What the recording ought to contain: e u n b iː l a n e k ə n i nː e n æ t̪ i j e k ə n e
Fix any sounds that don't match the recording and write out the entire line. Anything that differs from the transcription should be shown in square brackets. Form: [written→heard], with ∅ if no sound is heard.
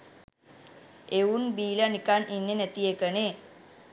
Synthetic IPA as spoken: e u n b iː l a n [e→i] k [ə→a] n i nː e n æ t̪ i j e k ə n e